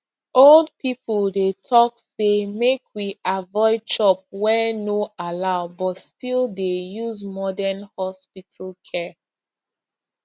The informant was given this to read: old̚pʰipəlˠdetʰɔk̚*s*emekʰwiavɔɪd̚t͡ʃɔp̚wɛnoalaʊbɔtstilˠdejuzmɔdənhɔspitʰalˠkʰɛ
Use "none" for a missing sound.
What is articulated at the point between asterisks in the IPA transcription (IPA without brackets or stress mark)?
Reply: s